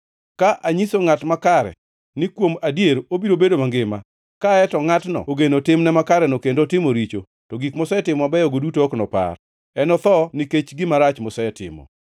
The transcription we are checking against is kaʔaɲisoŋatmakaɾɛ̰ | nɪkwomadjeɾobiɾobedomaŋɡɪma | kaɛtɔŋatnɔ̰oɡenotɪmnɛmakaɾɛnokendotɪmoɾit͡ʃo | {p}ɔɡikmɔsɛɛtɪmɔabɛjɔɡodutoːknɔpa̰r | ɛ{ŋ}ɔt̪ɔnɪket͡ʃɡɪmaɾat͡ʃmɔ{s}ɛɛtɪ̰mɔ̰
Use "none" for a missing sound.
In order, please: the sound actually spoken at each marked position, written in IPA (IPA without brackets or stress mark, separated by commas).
t, n, s